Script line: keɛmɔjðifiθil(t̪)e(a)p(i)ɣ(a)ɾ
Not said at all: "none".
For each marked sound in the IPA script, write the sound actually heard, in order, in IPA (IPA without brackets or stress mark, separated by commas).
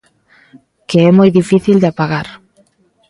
d̪, a, a, a